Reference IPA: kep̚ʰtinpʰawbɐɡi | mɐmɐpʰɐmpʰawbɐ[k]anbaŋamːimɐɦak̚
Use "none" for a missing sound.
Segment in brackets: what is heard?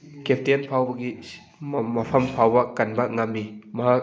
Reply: k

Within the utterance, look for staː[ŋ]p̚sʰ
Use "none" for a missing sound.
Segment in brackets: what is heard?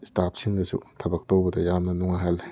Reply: none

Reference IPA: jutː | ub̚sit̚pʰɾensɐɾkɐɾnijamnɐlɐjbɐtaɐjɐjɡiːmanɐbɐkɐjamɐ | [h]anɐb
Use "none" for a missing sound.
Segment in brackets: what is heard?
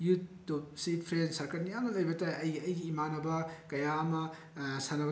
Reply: s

